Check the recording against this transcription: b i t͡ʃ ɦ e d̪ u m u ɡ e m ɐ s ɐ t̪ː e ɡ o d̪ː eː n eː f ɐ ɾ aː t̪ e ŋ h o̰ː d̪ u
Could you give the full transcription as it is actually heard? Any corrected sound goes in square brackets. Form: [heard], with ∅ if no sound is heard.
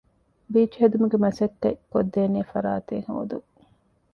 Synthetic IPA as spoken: b [iː] t͡ʃ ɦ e d̪ u m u ɡ e m ɐ s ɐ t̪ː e [k] o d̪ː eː n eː f ɐ ɾ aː t̪ e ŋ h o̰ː d̪ u